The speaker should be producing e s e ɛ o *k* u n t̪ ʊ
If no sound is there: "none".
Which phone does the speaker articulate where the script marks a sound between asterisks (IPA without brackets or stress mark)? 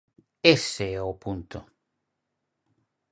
p